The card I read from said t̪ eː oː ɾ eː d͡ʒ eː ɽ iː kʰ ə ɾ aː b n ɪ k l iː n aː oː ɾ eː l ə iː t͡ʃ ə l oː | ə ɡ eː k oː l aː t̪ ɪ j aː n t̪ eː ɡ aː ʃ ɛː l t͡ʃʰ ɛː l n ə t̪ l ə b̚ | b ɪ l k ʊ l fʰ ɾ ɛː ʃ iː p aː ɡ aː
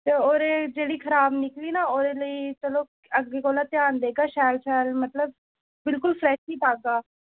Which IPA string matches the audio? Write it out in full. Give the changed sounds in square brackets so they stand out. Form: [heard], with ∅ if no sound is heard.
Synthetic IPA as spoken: t̪ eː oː ɾ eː d͡ʒ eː ɽ iː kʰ ə ɾ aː b n ɪ k l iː n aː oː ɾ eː l ə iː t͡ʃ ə l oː | ə ɡ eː k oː l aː t̪ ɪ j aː n [d̪] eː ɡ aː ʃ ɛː l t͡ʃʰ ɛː l [m] ə t̪ l ə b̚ | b ɪ l k ʊ l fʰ ɾ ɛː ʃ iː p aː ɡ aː